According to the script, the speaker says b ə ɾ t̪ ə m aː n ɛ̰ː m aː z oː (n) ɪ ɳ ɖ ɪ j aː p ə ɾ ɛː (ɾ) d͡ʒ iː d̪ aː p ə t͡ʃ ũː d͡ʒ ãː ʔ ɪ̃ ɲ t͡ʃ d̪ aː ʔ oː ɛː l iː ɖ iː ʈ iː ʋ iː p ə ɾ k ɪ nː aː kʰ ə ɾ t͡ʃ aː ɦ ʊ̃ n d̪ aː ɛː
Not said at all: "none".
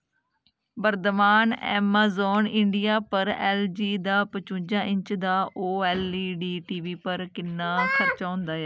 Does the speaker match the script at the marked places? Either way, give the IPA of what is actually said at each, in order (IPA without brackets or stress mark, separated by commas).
n, l